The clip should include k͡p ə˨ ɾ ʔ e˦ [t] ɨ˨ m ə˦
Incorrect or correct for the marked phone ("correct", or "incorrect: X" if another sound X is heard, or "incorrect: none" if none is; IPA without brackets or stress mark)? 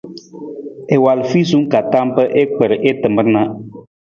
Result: correct